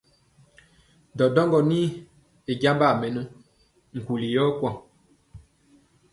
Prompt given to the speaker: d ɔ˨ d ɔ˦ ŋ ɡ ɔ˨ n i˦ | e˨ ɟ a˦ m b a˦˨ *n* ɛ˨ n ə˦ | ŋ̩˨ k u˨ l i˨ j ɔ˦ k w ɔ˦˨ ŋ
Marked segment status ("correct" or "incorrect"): incorrect